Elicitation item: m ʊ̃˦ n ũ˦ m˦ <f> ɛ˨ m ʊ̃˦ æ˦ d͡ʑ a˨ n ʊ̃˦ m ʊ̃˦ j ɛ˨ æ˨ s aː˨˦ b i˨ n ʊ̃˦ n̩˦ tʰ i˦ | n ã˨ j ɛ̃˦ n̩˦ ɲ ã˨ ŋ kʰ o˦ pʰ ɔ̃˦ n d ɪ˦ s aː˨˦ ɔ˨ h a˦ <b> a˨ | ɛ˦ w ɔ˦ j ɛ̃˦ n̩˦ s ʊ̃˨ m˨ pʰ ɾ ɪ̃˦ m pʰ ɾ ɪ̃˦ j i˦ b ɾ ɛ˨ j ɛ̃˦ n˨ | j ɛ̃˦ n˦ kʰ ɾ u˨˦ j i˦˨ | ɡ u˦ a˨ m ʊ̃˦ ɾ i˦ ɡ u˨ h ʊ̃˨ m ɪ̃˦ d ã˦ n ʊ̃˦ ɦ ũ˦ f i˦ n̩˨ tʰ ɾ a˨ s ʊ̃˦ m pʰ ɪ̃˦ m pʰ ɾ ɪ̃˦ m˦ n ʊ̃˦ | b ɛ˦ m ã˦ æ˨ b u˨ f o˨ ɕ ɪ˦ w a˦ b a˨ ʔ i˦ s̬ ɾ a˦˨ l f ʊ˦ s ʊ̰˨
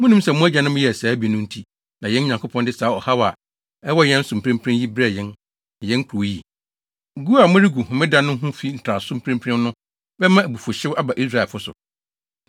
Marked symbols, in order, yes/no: no, no

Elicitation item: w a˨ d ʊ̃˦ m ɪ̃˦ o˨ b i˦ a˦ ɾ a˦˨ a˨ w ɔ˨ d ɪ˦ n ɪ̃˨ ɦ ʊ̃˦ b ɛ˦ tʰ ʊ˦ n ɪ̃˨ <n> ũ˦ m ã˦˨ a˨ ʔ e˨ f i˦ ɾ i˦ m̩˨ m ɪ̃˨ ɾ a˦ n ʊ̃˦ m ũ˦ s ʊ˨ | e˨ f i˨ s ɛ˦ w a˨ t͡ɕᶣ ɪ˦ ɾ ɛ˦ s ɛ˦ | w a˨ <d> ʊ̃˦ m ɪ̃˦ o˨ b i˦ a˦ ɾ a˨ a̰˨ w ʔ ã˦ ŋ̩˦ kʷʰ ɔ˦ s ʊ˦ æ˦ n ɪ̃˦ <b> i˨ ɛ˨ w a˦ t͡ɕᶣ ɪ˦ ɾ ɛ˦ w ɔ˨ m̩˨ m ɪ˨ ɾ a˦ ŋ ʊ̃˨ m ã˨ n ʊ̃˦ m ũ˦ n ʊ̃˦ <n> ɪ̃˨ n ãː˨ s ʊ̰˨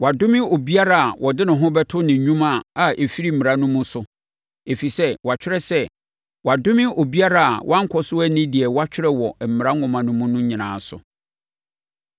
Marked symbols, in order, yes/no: no, yes, no, no

